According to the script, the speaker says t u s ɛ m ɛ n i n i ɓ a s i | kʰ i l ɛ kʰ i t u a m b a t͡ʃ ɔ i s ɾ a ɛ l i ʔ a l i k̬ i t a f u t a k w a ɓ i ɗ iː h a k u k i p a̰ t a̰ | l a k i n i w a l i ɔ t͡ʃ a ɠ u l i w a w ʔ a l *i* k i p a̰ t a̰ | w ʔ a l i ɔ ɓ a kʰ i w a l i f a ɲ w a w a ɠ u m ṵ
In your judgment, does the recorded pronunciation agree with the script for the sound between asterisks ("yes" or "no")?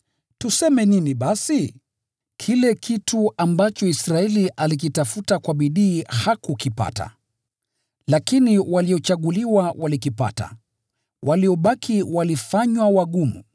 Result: yes